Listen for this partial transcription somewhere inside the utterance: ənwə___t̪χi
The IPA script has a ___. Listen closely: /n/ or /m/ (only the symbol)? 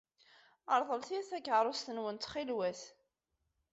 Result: n